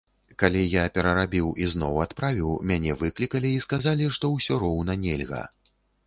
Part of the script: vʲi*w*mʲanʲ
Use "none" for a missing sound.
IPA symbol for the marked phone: w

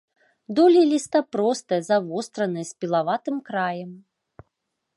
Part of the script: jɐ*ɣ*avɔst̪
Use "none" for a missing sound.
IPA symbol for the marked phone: z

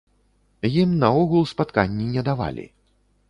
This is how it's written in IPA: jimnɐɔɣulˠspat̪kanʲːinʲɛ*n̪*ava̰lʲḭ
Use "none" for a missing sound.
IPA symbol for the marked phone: d̪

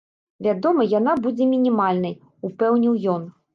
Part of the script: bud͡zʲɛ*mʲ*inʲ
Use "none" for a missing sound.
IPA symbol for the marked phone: mʲ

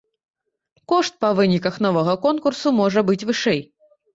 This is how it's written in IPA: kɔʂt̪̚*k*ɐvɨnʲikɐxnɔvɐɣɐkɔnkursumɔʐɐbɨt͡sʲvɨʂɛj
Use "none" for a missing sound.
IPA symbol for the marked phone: p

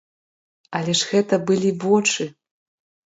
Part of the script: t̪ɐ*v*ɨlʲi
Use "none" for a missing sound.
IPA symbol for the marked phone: b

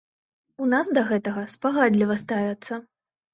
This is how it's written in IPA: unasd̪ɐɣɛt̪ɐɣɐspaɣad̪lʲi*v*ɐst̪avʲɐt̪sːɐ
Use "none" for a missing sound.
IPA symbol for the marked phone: v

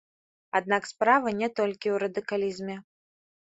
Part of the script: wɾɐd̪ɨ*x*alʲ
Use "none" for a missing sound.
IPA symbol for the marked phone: k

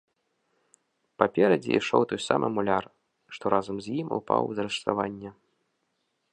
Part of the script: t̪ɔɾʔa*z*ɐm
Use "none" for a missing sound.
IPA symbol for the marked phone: z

